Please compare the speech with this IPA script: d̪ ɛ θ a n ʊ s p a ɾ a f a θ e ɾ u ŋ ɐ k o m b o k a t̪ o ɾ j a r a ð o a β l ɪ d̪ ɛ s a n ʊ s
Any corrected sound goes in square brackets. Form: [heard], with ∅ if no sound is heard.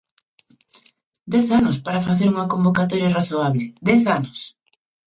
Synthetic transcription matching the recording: d̪ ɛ θ a n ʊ s p a ɾ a f a θ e ɾ u ŋ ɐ k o m b o k a t̪ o ɾ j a r a [θ] o a β l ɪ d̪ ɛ [θ] a n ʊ s